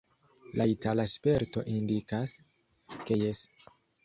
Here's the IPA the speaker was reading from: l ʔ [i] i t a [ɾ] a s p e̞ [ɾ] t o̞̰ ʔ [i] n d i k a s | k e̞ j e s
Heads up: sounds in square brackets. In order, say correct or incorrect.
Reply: incorrect, incorrect, correct, correct

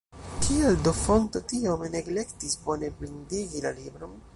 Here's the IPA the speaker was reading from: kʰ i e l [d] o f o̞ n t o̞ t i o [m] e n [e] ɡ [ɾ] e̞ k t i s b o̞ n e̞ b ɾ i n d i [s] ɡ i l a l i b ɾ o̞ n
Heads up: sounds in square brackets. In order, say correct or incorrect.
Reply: correct, correct, correct, incorrect, incorrect

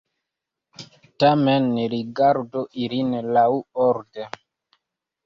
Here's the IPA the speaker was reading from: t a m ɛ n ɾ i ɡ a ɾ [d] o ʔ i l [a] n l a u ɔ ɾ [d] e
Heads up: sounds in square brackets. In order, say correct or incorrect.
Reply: correct, incorrect, correct

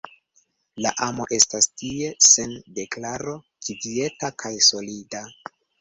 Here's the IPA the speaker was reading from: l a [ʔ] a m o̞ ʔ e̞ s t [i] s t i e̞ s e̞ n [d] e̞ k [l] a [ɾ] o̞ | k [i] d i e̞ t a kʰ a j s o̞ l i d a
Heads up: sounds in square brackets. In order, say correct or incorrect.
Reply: correct, incorrect, correct, correct, correct, correct

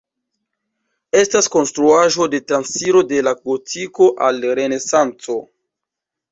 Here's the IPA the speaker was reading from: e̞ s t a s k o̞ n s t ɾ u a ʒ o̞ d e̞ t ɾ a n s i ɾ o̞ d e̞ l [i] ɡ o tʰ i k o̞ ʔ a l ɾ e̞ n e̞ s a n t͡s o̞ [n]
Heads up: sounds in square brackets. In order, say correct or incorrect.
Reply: incorrect, incorrect

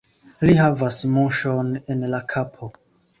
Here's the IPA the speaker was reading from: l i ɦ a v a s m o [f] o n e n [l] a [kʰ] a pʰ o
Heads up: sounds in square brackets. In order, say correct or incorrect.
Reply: incorrect, correct, correct

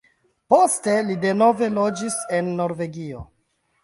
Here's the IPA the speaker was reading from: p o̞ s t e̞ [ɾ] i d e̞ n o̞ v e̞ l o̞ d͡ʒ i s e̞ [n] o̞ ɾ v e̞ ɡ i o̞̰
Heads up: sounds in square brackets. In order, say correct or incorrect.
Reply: incorrect, incorrect

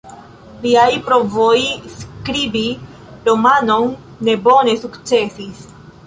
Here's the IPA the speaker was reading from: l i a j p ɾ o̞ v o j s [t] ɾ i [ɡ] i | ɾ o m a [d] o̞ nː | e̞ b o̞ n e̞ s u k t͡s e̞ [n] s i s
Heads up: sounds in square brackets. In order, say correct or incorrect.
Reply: incorrect, incorrect, incorrect, incorrect

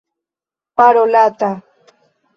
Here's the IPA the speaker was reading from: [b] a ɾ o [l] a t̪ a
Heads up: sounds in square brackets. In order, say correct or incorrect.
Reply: incorrect, correct

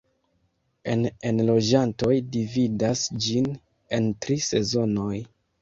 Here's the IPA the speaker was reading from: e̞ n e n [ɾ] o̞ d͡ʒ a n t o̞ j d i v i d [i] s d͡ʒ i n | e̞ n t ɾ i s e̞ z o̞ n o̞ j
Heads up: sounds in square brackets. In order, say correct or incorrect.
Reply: incorrect, incorrect

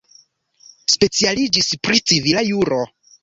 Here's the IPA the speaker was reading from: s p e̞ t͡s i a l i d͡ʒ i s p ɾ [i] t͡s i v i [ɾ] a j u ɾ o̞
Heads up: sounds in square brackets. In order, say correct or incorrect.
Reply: correct, incorrect

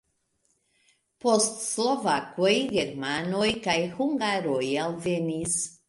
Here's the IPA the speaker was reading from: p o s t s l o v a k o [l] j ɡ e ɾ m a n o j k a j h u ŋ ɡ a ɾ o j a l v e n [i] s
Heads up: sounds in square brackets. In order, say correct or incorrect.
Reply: incorrect, correct

